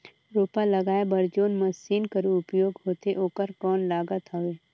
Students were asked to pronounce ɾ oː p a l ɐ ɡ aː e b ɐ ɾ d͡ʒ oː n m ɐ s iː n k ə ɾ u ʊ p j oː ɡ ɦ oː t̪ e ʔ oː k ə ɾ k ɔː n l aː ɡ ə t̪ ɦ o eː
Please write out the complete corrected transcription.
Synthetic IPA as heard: ɾ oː p a l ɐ ɡ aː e b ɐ ɾ d͡ʒ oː n m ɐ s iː n k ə ɾ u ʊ p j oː ɡ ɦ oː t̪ e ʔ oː k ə ɾ k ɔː n l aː ɡ ə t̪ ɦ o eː

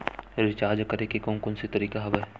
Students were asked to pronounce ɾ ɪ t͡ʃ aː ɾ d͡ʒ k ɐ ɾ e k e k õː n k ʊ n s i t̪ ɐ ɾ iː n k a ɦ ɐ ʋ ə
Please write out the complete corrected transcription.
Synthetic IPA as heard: ɾ ɪ t͡ʃ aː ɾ d͡ʒ k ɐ ɾ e k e k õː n k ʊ n s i t̪ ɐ ɾ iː k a ɦ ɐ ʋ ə

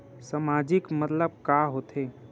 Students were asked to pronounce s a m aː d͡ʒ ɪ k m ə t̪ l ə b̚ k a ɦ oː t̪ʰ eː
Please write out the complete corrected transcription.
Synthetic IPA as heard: s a m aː d͡ʒ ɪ k m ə t̪ l ə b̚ k a ɦ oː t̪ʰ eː

